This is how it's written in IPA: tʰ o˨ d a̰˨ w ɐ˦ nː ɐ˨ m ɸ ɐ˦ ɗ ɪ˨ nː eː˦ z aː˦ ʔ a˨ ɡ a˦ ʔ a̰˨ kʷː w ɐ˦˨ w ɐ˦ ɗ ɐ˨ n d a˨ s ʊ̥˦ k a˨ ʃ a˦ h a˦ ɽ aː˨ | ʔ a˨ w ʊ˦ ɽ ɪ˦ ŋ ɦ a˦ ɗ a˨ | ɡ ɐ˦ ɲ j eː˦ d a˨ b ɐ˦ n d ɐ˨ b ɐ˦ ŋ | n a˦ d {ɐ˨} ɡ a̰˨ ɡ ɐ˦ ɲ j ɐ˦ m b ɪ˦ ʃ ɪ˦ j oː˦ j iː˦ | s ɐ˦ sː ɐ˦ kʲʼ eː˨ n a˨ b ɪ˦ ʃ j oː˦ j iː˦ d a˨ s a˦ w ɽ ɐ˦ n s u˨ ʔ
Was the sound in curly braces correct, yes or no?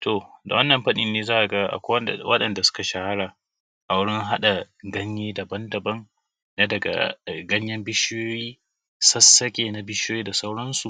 yes